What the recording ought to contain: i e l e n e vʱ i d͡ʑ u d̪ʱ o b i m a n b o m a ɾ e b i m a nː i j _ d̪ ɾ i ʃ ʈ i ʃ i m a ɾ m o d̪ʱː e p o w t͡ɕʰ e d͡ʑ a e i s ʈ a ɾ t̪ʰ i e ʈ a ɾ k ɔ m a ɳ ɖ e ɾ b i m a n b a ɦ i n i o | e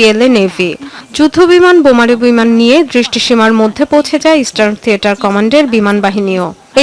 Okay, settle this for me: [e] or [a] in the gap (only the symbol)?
e